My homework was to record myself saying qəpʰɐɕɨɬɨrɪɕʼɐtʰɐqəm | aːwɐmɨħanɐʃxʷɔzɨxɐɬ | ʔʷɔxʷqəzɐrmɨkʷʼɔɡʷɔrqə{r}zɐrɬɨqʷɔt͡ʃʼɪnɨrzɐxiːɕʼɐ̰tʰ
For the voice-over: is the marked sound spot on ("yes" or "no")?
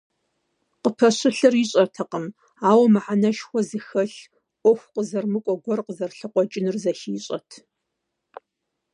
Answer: no